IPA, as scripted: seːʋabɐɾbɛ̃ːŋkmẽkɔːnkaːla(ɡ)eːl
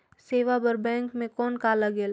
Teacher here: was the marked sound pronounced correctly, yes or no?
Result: yes